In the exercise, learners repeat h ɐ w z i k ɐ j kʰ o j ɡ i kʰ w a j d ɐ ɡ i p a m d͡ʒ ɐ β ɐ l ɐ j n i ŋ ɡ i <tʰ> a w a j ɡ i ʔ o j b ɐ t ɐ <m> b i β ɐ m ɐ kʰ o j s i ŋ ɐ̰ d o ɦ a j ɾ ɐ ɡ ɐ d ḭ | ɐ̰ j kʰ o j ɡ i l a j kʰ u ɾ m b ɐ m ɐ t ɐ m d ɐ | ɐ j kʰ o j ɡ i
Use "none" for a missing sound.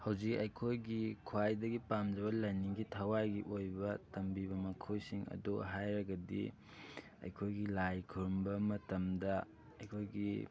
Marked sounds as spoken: tʰ, m

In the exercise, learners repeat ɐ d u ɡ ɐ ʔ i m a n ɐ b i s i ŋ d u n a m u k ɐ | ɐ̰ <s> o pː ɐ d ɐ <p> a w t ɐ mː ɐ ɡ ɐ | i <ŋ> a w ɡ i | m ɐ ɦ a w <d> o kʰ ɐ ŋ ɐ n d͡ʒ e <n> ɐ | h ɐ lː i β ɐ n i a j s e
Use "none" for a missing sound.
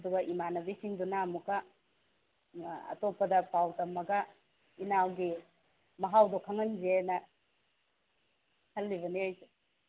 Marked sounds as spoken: t, p, n, d, n

